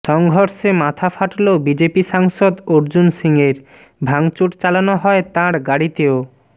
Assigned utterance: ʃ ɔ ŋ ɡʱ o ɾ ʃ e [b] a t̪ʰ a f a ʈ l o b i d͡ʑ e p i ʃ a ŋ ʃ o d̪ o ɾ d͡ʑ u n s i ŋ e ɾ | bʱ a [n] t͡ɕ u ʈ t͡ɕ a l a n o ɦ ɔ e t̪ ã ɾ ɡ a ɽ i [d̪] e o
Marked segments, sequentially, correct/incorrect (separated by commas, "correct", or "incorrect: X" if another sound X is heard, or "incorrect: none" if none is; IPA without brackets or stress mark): incorrect: m, incorrect: ŋ, incorrect: t̪